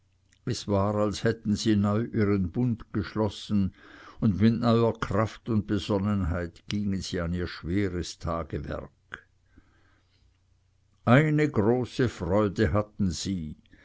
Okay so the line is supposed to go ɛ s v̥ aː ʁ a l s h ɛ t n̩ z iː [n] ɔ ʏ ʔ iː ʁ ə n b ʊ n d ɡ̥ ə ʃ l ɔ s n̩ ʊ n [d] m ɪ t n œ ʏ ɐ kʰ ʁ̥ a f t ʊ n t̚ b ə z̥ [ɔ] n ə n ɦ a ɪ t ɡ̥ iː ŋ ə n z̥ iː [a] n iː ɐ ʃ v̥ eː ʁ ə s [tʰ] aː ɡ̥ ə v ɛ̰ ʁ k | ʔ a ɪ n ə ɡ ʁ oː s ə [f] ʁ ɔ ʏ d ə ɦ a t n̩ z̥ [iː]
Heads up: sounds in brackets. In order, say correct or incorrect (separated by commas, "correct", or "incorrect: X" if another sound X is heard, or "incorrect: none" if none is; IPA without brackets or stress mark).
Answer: correct, correct, correct, correct, correct, correct, correct